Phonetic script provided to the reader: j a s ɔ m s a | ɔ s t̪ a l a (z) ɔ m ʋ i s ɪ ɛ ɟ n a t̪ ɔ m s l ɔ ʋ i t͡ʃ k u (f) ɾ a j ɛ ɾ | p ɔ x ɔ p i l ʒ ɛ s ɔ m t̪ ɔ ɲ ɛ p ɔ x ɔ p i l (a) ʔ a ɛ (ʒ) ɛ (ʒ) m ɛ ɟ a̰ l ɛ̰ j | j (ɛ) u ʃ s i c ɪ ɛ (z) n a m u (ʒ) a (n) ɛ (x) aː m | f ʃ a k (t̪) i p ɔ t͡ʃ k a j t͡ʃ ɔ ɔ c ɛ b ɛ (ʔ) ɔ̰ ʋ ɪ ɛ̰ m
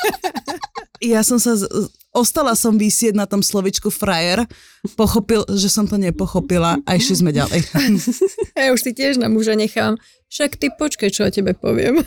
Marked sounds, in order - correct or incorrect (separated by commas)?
incorrect, correct, correct, incorrect, incorrect, incorrect, incorrect, correct, incorrect, correct, correct, incorrect